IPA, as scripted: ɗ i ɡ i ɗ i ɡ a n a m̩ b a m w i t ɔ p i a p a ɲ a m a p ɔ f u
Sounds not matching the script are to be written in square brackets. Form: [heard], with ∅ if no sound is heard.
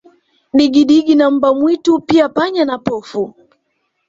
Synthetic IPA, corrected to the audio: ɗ i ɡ i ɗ i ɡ [i] n a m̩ b a m w i t [u] p i a p a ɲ a [n] a p ɔ f u